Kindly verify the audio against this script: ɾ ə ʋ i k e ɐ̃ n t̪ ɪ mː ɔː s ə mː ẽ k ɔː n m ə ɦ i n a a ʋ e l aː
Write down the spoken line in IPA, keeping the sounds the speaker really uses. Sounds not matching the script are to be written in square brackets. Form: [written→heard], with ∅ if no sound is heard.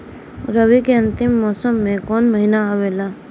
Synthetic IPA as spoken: ɾ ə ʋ i k e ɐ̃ n t̪ ɪ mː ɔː s ə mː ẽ k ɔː n m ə ɦ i n a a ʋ e l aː

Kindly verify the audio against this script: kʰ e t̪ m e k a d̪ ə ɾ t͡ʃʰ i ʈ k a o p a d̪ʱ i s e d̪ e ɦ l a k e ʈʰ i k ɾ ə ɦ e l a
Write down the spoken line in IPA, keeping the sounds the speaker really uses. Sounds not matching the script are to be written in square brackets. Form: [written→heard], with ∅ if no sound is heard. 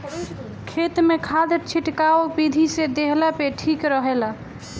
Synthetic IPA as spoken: kʰ e t̪ m e [k→kʰ] a d̪ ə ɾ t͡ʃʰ i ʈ k a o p [a→i] d̪ʱ i s e d̪ e ɦ l a [k→p] e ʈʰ i k ɾ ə ɦ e l a

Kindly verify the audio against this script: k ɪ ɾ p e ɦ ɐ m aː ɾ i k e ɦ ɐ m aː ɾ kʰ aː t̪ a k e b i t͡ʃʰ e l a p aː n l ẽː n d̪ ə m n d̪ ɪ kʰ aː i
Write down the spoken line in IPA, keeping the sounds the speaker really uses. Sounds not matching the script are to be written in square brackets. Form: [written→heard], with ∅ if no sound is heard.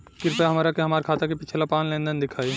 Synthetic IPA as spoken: k ɪ ɾ p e ɦ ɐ m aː ɾ [i→a] k e ɦ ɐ m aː ɾ kʰ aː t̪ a k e [b→p] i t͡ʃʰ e l a p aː n l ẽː n d̪ ə [m→∅] n d̪ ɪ kʰ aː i

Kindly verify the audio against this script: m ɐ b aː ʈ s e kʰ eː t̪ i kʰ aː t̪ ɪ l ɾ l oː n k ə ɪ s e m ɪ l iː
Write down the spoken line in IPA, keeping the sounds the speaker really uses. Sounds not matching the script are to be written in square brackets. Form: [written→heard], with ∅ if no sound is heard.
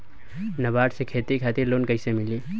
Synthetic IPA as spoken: [m→n] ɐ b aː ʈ s e kʰ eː t̪ i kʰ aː t̪ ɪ [l→∅] ɾ l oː n k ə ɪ s e m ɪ l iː

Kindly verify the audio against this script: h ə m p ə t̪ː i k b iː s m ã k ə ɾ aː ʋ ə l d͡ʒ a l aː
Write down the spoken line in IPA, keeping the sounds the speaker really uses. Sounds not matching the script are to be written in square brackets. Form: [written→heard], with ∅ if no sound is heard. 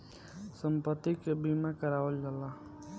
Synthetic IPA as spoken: [h→s] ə m p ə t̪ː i k b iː [s→∅] m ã k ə ɾ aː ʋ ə l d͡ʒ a l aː

